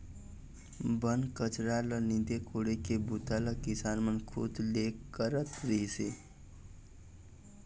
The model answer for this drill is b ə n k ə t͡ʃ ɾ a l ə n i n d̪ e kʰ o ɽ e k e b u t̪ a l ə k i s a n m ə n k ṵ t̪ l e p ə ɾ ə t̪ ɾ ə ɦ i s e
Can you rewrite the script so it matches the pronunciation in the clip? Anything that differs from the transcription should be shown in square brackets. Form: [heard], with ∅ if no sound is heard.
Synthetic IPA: b ə n k ə t͡ʃ ɾ a l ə n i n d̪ e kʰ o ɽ e k e b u t̪ a l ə k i s a n m ə n [kʰ] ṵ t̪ l e [k] ə ɾ ə t̪ ɾ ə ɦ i s e

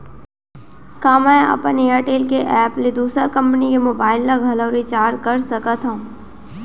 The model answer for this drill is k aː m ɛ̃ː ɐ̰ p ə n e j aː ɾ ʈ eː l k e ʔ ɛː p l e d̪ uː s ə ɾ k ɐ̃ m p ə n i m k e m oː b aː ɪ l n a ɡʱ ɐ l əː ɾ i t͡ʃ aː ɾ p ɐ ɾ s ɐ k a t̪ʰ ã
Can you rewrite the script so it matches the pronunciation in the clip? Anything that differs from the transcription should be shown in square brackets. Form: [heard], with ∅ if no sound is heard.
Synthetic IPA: k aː m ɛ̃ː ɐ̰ p ə n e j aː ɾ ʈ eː l k e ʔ ɛː p l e d̪ uː s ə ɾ k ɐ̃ m p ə n i [∅] k e m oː b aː ɪ l n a ɡʱ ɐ l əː ɾ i t͡ʃ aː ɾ [k] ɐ ɾ s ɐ k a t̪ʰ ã

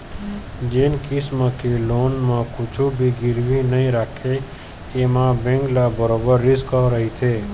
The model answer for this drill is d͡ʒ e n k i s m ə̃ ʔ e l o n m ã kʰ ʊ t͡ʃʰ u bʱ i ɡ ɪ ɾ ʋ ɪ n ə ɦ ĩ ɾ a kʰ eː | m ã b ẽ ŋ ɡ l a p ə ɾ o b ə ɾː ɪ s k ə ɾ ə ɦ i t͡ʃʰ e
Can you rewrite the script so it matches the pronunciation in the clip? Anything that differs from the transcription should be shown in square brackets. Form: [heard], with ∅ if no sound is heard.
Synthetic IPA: d͡ʒ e n k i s m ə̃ [k] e l o n m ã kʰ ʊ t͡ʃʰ u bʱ i ɡ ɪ ɾ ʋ [i] n ə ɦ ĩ ɾ a kʰ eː | m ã b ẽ ŋ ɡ l a [b] ə ɾ o b ə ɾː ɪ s k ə ɾ ə ɦ i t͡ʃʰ e

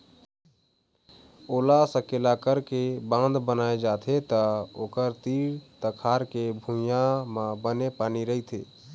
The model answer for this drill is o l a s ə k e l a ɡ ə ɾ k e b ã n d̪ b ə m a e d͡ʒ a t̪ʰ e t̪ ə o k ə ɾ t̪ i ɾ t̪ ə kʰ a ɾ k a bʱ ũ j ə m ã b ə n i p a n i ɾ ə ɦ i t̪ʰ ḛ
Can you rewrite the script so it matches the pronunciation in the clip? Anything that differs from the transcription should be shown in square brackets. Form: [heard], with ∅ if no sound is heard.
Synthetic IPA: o l a s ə k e l a [k] ə ɾ k e b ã n d̪ b ə [n] a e d͡ʒ a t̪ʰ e t̪ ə o k ə ɾ t̪ i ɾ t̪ ə kʰ a ɾ k [e] bʱ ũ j [a] m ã b ə n [e] p a n i ɾ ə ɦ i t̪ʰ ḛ

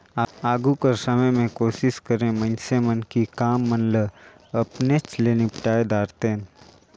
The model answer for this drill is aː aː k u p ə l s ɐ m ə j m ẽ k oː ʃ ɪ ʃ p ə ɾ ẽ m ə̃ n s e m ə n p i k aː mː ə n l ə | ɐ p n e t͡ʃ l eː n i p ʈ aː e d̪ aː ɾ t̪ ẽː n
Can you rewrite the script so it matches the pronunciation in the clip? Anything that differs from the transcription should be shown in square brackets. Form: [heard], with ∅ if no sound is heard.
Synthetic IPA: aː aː [ɡ] u [k] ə [ɾ] s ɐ m ə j m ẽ k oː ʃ ɪ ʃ [k] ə ɾ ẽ m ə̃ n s e m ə n [k] i k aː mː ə n l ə | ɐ p n e t͡ʃ l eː n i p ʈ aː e d̪ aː ɾ t̪ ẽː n

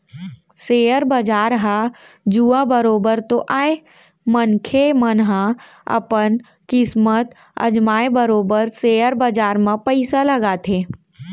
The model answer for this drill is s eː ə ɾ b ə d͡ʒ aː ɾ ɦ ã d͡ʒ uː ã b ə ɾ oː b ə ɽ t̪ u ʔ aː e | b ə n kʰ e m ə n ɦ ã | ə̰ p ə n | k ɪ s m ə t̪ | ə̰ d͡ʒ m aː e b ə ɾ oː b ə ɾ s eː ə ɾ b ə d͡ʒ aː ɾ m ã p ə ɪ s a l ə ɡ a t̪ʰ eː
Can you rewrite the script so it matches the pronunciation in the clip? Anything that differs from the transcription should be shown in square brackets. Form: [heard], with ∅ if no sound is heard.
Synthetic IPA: s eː ə ɾ b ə d͡ʒ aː ɾ ɦ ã d͡ʒ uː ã b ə ɾ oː b ə [ɾ] t̪ [o] ʔ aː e | [m] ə n kʰ e m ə n ɦ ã | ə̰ p ə n | k ɪ s m ə t̪ | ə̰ d͡ʒ m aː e b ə ɾ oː b ə ɾ s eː ə ɾ b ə d͡ʒ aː ɾ m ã p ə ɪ s a l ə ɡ a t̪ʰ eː

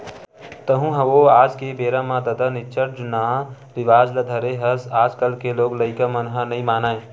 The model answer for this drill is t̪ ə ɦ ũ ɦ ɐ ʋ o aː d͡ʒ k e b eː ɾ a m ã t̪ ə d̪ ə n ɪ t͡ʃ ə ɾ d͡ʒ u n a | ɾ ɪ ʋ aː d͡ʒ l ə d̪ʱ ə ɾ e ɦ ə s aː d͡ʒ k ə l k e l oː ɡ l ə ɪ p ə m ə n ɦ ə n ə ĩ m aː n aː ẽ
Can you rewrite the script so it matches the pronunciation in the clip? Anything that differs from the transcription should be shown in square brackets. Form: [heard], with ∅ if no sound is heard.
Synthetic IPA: t̪ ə ɦ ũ ɦ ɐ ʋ o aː d͡ʒ k e b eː ɾ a m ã [d̪] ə d̪ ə n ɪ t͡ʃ ə ɾ d͡ʒ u n a | ɾ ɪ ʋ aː d͡ʒ l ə d̪ʱ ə ɾ e ɦ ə s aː d͡ʒ k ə l k e l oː ɡ l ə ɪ [k] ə m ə n ɦ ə n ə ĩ m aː n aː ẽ

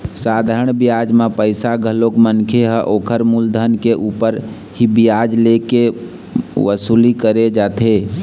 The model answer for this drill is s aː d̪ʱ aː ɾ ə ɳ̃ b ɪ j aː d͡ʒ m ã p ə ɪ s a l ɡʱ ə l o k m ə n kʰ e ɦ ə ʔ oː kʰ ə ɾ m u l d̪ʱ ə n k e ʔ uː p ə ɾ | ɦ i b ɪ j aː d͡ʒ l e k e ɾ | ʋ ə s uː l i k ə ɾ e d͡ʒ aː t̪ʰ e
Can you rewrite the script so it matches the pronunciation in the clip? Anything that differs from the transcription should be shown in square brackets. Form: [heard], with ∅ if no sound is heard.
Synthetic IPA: s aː d̪ʱ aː ɾ ə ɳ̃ b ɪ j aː d͡ʒ m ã p ə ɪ s a [∅] ɡʱ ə l o k m ə n kʰ e ɦ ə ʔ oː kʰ ə ɾ m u l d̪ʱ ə n k e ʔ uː p ə ɾ | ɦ i b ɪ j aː d͡ʒ l e k e [∅] | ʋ ə s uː l i k ə ɾ e d͡ʒ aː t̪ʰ e

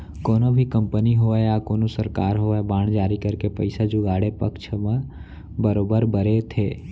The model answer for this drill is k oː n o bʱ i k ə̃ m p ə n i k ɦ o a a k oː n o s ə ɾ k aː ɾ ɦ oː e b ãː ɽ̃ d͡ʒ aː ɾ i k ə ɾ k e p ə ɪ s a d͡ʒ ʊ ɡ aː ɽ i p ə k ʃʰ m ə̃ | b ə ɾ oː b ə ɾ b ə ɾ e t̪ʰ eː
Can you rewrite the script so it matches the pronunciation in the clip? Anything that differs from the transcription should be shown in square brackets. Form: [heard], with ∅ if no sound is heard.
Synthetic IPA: k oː n o bʱ i k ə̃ m p ə n i [∅] ɦ o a a k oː n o s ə ɾ k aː ɾ ɦ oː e b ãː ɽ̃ d͡ʒ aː ɾ i k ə ɾ k e p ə ɪ s a d͡ʒ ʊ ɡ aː ɽ [e] p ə k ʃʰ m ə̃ | b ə ɾ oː b ə ɾ b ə ɾ e t̪ʰ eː

